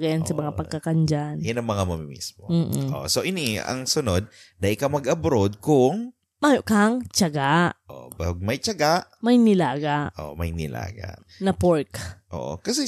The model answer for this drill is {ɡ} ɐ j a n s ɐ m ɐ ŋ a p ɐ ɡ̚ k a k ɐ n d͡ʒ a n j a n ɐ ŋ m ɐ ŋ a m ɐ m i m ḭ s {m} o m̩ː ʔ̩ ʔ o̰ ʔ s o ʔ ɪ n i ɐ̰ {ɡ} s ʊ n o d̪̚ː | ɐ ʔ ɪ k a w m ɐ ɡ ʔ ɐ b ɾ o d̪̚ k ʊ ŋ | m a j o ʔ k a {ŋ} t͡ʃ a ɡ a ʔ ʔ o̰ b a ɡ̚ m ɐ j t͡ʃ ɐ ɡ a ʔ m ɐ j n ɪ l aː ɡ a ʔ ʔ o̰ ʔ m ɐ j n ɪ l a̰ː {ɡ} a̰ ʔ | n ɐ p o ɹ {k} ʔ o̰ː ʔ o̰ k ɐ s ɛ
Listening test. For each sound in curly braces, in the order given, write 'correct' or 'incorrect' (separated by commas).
correct, correct, incorrect, correct, correct, correct